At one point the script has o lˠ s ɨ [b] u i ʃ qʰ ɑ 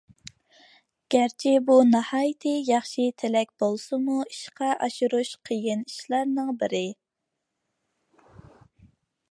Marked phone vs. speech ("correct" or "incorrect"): incorrect